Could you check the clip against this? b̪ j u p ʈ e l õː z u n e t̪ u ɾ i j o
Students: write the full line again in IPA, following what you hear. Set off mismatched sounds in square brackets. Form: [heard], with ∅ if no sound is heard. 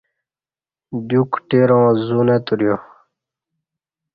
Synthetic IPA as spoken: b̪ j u [k] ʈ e [ɾ] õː z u n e t̪ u ɾ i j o

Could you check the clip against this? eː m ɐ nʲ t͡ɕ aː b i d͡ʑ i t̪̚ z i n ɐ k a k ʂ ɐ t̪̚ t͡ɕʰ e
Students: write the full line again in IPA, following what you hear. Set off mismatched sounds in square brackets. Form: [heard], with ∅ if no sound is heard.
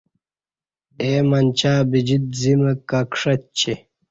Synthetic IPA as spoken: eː m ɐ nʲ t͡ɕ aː b i d͡ʑ i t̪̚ z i [m] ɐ k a k ʂ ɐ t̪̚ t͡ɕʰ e

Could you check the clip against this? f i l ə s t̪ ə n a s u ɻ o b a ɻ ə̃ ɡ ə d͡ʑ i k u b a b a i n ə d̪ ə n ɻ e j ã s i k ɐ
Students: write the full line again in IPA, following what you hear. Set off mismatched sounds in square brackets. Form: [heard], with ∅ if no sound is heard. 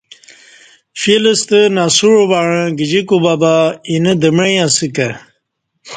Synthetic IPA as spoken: f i l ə s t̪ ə n a s u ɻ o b a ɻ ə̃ ɡ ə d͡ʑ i k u b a b a i n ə d̪ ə [m] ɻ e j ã s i k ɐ

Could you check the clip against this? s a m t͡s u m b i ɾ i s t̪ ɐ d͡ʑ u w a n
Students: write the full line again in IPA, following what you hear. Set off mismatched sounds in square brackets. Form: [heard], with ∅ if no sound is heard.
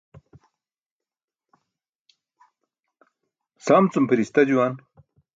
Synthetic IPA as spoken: s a m t͡s u m [p] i ɾ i s t̪ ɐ d͡ʑ u w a n

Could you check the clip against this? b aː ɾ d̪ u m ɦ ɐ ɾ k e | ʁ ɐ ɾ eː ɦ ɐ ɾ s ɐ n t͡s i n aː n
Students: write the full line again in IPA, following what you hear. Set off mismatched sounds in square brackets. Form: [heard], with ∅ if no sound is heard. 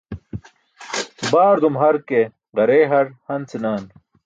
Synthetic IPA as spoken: b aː ɾ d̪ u m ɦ ɐ ɾ k e | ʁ ɐ ɾ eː ɦ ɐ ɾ [h] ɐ n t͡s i n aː n

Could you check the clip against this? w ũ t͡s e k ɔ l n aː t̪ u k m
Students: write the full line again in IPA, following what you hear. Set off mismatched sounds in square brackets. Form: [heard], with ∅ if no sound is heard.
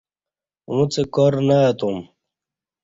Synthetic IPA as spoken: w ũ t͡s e k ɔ [ɾ] n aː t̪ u [∅] m

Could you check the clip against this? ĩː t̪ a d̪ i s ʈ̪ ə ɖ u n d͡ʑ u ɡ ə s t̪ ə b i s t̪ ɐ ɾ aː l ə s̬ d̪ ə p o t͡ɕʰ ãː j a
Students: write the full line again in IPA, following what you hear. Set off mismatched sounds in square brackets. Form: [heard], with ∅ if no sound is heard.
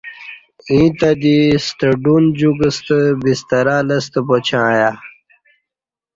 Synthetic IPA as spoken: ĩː t̪ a d̪ i s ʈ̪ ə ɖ u n d͡ʑ u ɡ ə s t̪ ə b i s t̪ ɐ ɾ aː l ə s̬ [t̪] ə p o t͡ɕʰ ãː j a

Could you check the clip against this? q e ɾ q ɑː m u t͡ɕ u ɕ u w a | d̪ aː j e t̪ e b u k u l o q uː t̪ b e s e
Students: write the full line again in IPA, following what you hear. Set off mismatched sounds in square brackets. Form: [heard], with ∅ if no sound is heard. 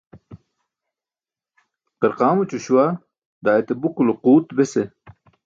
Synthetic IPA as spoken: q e ɾ q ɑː m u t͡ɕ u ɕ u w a | d̪ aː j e t̪ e b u k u l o q uː t̪ b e s e

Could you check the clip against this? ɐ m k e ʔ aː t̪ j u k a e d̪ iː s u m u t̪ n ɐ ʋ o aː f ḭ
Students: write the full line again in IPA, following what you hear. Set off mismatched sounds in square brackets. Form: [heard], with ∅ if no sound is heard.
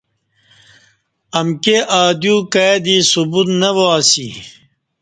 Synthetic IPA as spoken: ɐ m k e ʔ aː [d̪] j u k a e d̪ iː s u [b] u t̪ n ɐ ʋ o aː [s] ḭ

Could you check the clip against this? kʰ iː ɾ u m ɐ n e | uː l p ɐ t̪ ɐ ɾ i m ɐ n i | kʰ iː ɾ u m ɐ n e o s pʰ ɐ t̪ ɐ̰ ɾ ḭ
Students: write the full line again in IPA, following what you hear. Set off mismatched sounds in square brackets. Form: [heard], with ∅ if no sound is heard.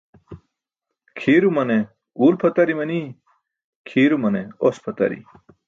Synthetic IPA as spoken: kʰ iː ɾ u m ɐ n e | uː l [pʰ] ɐ t̪ ɐ ɾ i m ɐ n i | kʰ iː ɾ u m ɐ n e o s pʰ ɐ t̪ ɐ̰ ɾ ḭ

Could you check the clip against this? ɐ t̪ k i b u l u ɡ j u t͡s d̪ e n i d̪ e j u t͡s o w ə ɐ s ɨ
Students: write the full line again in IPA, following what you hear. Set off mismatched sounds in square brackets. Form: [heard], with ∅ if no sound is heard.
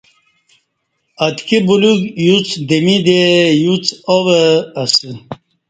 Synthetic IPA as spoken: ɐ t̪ k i b u l u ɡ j u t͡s d̪ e [m] i d̪ e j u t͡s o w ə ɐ s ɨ

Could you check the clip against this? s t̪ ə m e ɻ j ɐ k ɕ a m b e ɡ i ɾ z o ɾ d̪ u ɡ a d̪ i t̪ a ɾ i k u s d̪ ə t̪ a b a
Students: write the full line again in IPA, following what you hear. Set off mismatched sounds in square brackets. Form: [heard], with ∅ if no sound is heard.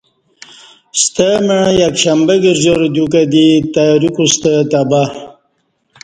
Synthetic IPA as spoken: s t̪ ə m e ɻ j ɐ k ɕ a m b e ɡ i ɾ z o ɾ d̪ u [k] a d̪ i t̪ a ɾ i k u s [t̪] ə t̪ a b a

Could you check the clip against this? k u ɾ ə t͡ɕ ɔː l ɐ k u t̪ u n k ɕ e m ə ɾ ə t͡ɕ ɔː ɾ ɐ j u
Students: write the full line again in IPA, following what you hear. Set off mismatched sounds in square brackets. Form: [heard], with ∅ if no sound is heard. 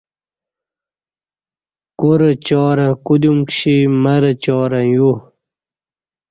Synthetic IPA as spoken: k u ɾ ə t͡ɕ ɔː [ɾ] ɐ k u [d̪] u [m] k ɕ [i] m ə ɾ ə t͡ɕ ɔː ɾ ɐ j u

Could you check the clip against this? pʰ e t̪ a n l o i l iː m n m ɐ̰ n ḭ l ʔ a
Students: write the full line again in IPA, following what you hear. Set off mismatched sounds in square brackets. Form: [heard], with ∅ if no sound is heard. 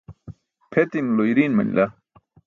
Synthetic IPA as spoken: pʰ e t̪ [i] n l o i [ɾ] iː [∅] n m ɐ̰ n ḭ l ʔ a

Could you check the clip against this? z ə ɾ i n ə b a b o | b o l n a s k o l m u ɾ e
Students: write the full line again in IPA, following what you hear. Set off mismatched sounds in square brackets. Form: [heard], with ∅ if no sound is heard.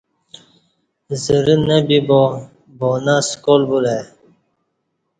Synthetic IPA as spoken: z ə ɾ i n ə b [i] b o | b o [∅] n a s k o l [b] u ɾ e

